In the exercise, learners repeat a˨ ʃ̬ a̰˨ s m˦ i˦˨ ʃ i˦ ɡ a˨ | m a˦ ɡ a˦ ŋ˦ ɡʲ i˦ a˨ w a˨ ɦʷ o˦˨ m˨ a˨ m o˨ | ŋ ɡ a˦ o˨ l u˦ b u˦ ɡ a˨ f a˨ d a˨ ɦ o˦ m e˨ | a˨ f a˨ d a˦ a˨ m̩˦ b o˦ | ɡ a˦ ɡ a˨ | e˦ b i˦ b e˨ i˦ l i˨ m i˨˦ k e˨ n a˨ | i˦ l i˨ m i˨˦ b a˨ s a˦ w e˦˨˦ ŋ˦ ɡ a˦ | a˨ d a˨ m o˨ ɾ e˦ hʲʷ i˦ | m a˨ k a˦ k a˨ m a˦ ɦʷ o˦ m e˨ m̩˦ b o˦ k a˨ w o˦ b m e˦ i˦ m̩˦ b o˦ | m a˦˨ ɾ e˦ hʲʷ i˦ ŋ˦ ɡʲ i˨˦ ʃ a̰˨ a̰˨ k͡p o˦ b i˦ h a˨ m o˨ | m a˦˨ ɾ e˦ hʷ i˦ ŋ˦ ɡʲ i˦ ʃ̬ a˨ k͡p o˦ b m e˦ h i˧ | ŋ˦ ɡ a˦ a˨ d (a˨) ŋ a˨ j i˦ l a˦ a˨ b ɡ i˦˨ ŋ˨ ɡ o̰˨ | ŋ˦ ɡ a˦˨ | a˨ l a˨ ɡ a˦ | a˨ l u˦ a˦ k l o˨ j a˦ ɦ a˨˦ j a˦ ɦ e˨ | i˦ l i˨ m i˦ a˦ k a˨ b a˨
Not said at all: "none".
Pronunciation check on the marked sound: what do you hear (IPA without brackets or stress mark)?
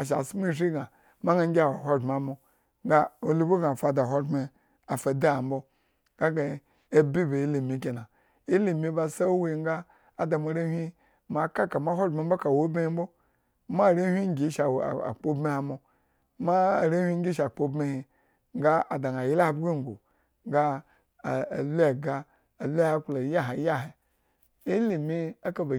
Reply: a˨